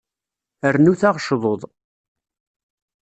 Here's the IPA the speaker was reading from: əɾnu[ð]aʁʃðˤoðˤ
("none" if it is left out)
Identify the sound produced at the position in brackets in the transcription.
θ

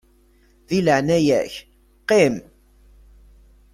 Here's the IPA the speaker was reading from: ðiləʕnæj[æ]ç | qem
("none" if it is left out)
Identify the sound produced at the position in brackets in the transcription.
æ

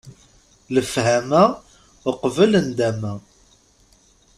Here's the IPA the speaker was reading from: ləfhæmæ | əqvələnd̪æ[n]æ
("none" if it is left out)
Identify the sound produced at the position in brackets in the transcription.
m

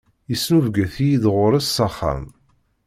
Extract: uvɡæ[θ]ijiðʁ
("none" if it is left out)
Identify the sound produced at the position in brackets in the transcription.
θ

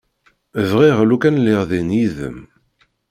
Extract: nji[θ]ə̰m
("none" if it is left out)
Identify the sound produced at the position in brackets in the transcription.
ð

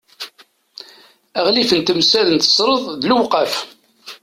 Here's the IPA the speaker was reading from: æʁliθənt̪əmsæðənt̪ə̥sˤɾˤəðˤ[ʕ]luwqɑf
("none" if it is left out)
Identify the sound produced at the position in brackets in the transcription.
ð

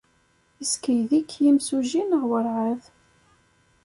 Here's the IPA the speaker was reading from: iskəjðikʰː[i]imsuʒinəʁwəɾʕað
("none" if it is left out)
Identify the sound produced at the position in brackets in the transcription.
j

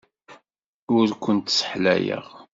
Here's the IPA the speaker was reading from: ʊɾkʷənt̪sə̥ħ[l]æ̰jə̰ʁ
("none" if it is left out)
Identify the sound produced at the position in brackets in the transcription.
l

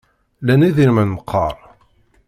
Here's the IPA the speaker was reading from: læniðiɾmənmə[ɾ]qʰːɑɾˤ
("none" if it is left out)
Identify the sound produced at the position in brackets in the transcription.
none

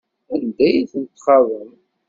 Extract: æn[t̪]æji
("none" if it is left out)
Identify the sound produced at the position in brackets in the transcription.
d̪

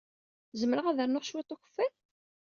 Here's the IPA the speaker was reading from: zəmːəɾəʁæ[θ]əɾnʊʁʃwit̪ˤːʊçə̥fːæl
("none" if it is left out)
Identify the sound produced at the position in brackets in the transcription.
ð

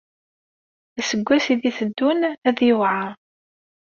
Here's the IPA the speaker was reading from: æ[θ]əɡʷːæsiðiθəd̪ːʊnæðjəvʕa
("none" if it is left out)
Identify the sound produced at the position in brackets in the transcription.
s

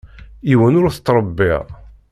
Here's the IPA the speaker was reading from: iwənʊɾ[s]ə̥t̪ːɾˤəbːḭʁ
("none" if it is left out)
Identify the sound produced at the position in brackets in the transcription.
θ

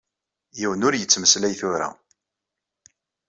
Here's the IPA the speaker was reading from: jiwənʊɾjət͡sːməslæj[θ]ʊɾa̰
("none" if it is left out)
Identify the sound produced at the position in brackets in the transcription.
θ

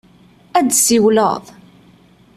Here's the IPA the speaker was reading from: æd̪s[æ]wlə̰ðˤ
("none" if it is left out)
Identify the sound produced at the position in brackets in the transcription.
i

